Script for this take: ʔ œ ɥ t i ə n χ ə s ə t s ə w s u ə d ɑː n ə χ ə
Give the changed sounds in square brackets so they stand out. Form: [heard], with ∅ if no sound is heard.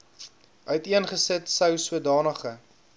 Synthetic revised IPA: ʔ œ ɥ t i ə n χ ə s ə t s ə w s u ə d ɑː n ə χ ə

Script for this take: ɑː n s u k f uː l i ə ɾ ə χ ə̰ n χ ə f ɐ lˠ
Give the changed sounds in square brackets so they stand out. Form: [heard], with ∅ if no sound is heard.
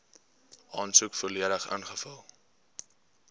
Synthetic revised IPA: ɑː n s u k f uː l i ə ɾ ə χ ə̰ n χ ə f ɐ lˠ

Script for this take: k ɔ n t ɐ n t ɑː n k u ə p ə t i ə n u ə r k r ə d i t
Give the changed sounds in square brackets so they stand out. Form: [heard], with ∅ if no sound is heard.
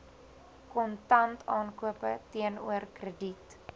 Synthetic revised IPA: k ɔ n t ɐ n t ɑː n k u ə p ə t i ə n u ə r k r ə d i t

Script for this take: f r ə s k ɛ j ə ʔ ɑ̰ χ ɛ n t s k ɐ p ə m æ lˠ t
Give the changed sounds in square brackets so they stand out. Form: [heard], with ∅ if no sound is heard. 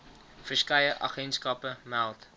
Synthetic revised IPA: f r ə s k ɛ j ə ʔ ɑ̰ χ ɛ n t s k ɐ p ə m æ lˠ t

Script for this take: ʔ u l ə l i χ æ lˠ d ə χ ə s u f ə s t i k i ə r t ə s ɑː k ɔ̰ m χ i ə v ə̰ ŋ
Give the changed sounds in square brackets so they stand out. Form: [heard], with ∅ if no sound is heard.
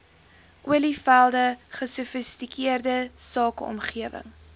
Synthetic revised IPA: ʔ u [∅] ə l i [f] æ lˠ d ə χ ə s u f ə s t i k i ə r [d] ə s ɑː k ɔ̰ m χ i ə v ə̰ ŋ

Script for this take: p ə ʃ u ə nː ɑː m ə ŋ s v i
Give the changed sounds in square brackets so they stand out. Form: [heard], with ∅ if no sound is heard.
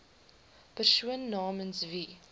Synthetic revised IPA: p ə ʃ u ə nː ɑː m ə [n] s v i

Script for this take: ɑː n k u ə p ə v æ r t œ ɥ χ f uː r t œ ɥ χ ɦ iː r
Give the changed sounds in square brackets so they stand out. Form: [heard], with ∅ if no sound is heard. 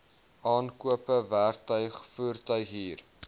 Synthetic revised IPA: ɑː n k u ə p ə v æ r t œ ɥ χ f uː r t œ ɥ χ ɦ iː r

